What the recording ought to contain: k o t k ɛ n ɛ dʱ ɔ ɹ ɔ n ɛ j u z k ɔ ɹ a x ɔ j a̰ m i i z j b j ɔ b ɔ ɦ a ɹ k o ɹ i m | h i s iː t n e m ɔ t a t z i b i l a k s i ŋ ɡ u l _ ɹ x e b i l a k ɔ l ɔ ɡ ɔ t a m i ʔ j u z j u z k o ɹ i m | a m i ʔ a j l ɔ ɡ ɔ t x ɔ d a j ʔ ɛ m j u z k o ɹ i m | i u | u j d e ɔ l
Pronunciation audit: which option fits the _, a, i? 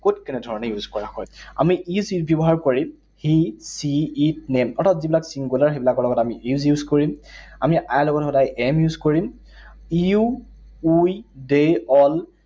a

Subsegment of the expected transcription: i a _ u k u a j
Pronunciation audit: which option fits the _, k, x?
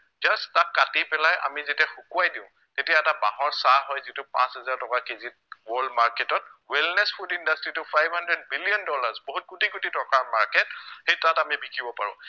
x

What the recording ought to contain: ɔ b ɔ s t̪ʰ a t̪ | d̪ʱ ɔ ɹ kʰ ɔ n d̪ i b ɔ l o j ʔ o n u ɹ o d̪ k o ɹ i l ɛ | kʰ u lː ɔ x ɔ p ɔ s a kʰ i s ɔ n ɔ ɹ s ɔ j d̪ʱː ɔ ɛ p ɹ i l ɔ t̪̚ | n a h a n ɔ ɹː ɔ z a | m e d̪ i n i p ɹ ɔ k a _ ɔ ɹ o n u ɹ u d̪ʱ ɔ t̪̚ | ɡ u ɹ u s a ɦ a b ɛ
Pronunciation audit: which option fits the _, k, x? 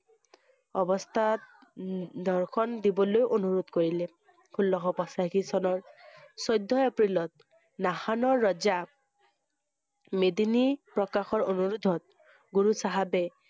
x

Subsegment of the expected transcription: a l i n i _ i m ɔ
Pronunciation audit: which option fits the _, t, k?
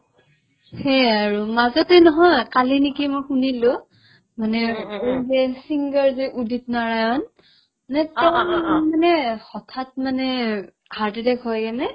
k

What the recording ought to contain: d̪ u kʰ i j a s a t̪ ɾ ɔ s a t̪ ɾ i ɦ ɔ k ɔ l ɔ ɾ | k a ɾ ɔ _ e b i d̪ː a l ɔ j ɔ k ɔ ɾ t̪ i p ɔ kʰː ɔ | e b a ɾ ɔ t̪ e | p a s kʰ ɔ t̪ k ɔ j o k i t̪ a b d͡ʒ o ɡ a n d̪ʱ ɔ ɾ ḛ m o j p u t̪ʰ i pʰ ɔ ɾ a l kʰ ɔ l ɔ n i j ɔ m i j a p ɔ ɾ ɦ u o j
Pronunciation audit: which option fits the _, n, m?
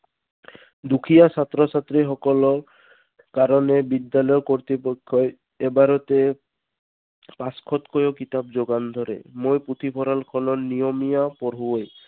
n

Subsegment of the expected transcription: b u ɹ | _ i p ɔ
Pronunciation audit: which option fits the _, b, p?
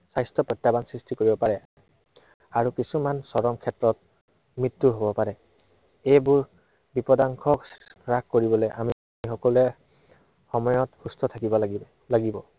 b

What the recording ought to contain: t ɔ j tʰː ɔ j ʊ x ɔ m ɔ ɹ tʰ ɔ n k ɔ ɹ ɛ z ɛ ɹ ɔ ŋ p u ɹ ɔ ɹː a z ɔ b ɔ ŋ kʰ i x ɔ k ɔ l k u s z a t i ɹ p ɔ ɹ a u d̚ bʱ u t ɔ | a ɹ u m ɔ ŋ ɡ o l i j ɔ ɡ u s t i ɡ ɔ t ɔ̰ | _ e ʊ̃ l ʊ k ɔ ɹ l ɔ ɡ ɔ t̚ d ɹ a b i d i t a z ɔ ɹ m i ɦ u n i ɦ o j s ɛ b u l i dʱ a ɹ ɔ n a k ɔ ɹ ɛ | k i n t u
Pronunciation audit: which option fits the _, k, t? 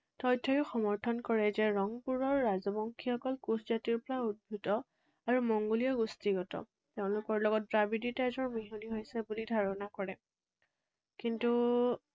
t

